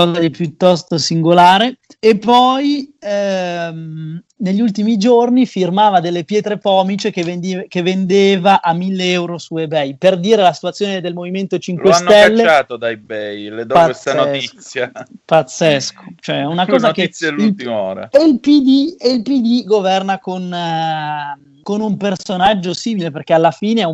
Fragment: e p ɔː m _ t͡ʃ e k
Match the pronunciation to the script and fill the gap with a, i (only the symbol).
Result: i